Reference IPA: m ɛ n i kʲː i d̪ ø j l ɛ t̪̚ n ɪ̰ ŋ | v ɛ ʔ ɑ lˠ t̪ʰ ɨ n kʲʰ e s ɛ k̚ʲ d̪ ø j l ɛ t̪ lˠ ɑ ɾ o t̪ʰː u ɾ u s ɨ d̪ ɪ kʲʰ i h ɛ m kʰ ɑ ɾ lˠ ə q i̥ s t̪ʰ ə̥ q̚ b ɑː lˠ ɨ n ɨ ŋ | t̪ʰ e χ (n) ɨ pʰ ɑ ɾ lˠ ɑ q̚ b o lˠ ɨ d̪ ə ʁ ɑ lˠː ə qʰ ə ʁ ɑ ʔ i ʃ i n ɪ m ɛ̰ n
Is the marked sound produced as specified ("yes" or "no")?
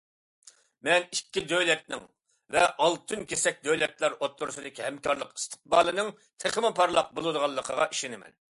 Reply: no